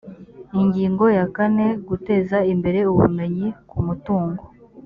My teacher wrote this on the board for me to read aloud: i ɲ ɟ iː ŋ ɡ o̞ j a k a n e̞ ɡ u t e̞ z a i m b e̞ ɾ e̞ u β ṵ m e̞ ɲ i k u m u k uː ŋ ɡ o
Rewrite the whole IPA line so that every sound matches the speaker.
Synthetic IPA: i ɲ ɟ iː ŋ ɡ o̞ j a k a n e̞ ɡ u t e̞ z a i m b e̞ ɾ e̞ u β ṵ m e̞ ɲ i k u m u t uː ŋ ɡ o